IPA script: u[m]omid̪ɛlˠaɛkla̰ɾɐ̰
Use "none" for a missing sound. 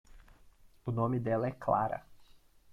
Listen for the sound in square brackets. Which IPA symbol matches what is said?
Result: n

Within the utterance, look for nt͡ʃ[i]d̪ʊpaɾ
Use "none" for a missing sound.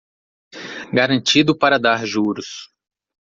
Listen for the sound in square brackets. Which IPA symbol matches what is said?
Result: i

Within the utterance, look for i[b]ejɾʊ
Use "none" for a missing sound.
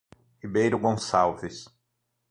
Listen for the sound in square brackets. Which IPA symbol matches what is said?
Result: b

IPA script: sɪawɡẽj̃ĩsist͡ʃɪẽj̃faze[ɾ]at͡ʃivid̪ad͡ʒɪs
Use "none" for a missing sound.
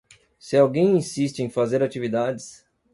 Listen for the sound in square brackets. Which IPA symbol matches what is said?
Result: ɾ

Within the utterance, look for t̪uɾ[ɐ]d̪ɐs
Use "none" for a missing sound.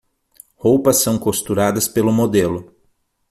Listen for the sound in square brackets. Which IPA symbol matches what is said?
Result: a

